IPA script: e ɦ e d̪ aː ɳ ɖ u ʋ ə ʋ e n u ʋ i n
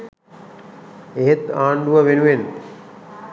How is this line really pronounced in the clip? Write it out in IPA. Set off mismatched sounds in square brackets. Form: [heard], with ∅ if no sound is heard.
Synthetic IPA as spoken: e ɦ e [t̪] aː ɳ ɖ u ʋ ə ʋ e n u ʋ [e] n